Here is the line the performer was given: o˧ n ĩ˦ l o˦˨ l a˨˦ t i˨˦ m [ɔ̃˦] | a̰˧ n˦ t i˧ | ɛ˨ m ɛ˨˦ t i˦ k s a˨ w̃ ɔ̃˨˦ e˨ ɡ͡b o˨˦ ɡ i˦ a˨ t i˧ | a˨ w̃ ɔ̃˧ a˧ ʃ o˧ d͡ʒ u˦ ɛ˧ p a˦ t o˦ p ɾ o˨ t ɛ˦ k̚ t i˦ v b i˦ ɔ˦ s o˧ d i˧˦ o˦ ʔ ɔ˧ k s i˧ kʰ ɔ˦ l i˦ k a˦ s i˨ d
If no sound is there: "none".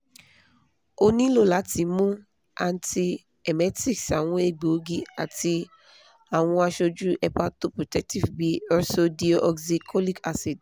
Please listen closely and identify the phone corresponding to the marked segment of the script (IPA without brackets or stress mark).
ũ˦